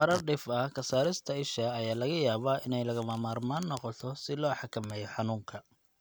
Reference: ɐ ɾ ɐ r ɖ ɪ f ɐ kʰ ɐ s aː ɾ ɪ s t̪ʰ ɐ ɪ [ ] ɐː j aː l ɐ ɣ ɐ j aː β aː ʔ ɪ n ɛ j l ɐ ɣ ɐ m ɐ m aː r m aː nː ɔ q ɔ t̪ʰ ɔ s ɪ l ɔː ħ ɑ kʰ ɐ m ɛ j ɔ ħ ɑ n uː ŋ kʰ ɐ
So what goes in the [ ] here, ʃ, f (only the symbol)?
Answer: ʃ